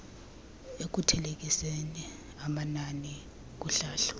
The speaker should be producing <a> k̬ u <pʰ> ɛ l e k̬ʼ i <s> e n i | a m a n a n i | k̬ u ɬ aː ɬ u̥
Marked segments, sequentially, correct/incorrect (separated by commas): incorrect, incorrect, correct